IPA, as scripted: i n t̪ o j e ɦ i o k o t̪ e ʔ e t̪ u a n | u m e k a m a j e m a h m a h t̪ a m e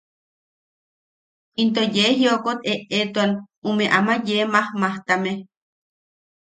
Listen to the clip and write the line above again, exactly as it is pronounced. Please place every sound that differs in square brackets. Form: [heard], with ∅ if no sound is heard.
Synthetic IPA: i n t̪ o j e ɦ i o k o t̪ e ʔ e t̪ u a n | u m e [ʔ] a m a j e m a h m a h t̪ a m e